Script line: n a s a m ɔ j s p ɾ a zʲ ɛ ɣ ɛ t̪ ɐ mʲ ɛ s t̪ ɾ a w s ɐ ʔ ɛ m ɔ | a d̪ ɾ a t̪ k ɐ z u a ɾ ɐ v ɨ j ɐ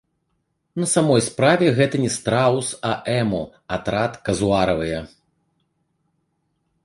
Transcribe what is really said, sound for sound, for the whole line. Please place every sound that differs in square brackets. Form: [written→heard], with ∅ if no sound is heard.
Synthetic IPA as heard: n [a→ɐ] s a m ɔ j s p ɾ a [zʲ→vʲ] ɛ ɣ ɛ t̪ ɐ [mʲ→nʲ] ɛ s t̪ ɾ a w s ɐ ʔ ɛ m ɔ | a [d̪→t̪] ɾ a t̪ k ɐ z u a ɾ ɐ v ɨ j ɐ